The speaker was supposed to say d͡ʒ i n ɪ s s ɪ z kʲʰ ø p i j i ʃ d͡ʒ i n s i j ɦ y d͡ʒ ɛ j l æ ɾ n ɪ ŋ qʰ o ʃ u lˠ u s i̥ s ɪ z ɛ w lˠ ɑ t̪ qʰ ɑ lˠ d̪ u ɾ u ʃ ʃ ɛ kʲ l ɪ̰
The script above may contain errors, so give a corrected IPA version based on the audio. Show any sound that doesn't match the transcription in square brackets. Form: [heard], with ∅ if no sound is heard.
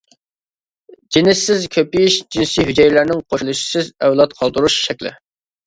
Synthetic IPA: d͡ʒ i n ɪ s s ɪ z kʲʰ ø p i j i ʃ d͡ʒ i n s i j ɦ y d͡ʒ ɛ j l æ ɾ n ɪ ŋ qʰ o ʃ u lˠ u [ʃ] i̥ s ɪ z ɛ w lˠ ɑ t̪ qʰ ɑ lˠ d̪ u ɾ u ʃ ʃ ɛ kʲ l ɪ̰